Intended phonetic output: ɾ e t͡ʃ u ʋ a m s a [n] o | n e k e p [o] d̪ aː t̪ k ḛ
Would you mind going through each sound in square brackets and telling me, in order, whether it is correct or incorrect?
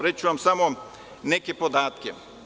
incorrect: m, correct

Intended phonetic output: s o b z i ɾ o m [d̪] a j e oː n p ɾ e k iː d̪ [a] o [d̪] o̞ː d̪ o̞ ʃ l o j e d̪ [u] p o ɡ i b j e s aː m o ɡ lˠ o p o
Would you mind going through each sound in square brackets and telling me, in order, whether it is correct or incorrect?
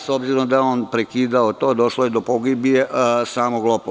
correct, correct, incorrect: t̪, incorrect: o

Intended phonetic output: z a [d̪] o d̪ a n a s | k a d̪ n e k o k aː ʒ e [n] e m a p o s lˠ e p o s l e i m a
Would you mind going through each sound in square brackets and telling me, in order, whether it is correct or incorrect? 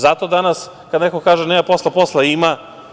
incorrect: t̪, correct

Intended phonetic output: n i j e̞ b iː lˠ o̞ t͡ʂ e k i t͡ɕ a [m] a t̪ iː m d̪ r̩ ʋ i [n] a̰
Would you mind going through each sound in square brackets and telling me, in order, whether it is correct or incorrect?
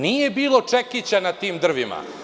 incorrect: n, incorrect: m

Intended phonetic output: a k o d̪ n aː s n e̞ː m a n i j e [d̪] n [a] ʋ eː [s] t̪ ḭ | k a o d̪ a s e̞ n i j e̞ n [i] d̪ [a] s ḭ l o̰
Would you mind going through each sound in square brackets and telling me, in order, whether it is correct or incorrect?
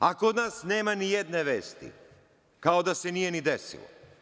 correct, incorrect: e, correct, correct, incorrect: e

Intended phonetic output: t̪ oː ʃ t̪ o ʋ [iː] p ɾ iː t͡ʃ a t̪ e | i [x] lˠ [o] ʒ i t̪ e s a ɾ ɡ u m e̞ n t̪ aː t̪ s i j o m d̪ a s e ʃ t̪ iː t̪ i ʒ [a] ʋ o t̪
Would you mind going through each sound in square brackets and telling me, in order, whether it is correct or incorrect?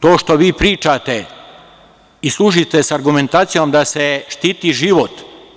correct, incorrect: s, incorrect: u, incorrect: i

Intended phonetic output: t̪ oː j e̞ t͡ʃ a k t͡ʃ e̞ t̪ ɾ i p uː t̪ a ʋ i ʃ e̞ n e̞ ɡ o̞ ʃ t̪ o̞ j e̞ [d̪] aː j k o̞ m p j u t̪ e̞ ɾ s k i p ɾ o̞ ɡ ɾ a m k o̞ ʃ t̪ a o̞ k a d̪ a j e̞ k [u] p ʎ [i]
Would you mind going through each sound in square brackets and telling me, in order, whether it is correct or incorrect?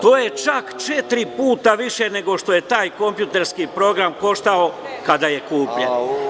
incorrect: t̪, incorrect: uː, incorrect: e

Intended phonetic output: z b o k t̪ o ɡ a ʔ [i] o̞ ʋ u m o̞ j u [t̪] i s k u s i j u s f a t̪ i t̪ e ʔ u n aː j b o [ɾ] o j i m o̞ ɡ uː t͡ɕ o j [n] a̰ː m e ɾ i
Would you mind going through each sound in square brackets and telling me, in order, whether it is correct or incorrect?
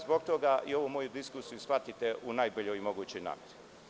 correct, incorrect: d̪, incorrect: ʎ, correct

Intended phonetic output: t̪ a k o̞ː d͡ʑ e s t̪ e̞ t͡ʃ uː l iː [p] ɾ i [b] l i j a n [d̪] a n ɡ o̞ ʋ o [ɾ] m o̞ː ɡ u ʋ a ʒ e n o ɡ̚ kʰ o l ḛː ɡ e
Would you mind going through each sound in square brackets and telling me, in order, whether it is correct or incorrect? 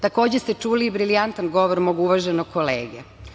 incorrect: b, incorrect: none, incorrect: t̪, correct

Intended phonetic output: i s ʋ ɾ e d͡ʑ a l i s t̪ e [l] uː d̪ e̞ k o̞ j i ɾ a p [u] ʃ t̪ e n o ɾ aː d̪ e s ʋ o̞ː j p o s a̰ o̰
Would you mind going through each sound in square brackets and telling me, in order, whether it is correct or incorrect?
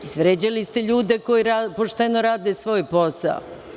incorrect: ʎ, incorrect: o

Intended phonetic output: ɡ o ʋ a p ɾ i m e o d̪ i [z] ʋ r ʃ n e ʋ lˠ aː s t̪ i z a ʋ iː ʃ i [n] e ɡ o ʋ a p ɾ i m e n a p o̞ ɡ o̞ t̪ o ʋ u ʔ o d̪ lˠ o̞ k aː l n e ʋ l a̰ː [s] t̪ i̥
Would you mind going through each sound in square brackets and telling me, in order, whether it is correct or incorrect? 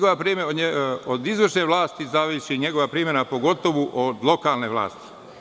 correct, incorrect: ɲ, correct

